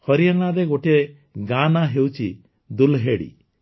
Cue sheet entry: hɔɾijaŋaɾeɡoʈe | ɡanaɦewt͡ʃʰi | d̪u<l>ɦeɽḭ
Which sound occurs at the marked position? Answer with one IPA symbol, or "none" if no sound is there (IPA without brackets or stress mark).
l